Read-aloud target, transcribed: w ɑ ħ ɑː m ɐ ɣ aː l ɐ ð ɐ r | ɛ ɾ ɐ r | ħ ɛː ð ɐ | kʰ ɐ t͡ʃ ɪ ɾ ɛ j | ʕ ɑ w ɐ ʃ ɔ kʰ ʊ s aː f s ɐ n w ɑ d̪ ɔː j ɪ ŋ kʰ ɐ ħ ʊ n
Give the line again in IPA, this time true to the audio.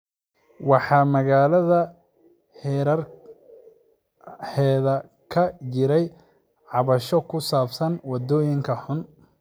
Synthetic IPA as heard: w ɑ ħ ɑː m ɐ ɣ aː l ɐ ð ɐ | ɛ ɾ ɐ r | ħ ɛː ð ɐ | kʰ ɐ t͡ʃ ɪ ɾ ɛ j | ʕ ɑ β ɐ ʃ ɔ kʰ ʊ s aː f s ɐ n w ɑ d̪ ɔː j ɪ ŋ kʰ ɐ ħ ʊ n

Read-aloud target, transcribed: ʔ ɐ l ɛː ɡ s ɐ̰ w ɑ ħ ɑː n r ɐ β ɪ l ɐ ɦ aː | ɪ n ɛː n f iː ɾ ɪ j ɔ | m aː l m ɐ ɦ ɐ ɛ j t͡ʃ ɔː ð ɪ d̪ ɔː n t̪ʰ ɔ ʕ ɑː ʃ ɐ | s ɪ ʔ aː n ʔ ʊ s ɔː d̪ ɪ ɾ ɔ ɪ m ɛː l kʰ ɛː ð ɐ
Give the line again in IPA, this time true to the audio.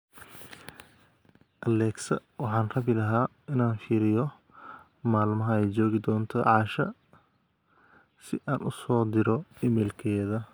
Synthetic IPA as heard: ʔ ɐ l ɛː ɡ s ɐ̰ w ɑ ħ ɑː n r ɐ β ɪ l ɐ ɦ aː | ɪ n aː n f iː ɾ ɪ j ɔ | m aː l m ɐ ɦ ɐ ɛ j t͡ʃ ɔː ɣ ɪ d̪ ɔː n t̪ʰ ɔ ʕ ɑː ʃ ɐ | s ɪ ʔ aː n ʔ ʊ s ɔː d̪ ɪ ɾ ɔ ɪ m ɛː l kʰ ɛː ð ɐ

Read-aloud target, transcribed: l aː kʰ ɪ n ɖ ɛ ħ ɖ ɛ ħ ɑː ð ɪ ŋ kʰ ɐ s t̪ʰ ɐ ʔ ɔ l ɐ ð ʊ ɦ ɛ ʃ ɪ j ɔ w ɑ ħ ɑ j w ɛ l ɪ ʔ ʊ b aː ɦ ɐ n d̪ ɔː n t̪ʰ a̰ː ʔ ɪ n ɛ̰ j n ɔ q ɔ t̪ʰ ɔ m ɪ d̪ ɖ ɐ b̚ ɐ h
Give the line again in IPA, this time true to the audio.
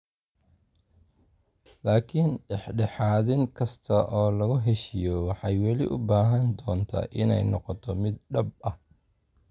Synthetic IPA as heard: l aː kʰ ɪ n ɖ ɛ ħ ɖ ɛ ħ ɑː ð ɪ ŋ kʰ ɐ s t̪ʰ ɐ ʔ ɔː l ɐ ɣ ʊ ɦ ɛ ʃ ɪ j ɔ w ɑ ħ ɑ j w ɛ l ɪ ʔ ʊ b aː ɦ ɐ n d̪ ɔː n t̪ʰ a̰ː ʔ ɪ n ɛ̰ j n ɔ q ɔ t̪ʰ ɔ m ɪ d̪ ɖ ɐ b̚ ɐ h

